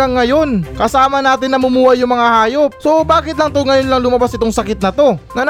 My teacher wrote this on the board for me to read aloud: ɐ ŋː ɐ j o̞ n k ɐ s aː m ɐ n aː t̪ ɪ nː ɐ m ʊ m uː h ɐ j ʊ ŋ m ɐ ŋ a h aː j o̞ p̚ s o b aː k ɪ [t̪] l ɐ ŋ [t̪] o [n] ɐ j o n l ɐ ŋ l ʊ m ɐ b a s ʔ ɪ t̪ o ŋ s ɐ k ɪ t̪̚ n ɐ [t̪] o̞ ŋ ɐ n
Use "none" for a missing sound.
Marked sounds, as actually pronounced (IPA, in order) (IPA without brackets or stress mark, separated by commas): t̪, t̪, ŋ, t̪